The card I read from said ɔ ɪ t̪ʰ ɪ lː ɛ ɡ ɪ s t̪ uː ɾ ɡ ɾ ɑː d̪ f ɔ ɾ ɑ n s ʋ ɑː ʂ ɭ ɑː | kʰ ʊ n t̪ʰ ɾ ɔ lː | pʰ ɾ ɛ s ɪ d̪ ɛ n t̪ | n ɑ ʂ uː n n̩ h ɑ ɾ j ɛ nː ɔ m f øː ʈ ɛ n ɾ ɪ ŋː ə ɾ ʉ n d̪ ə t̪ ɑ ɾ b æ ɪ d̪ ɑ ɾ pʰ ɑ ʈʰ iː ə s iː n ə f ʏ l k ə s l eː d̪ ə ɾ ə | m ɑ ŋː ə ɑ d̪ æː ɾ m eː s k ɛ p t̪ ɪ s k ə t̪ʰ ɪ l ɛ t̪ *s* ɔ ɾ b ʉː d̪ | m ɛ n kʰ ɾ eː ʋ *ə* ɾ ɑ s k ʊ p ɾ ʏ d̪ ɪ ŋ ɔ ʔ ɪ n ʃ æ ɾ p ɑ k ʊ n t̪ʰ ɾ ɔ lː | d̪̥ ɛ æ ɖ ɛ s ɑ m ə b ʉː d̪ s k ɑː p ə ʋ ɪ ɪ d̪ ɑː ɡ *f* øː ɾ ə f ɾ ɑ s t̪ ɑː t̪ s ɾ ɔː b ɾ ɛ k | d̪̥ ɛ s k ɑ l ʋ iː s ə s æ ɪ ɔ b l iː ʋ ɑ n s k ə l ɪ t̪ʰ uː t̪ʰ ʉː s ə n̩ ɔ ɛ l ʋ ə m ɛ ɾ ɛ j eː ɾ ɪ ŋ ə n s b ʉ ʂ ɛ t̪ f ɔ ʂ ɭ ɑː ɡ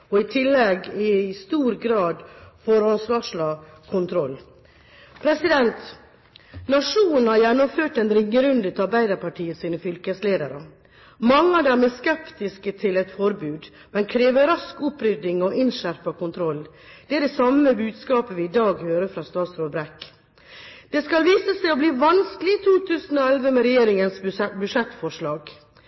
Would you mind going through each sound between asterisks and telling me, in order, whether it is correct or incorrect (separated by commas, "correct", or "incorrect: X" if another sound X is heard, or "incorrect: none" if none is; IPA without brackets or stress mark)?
incorrect: f, correct, incorrect: h